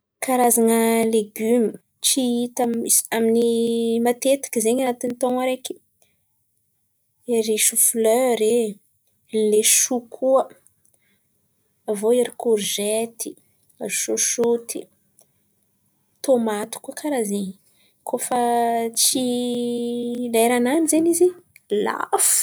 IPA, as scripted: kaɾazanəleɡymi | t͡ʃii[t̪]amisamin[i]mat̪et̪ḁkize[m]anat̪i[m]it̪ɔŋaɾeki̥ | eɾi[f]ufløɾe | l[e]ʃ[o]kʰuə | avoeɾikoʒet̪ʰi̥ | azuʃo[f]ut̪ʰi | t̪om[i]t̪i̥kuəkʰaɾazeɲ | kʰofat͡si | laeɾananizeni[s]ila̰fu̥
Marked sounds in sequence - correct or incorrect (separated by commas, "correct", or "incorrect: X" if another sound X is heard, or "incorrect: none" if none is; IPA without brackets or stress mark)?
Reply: correct, correct, incorrect: ɲ, incorrect: n, incorrect: ʃ, correct, incorrect: u, incorrect: ʃ, incorrect: a, incorrect: z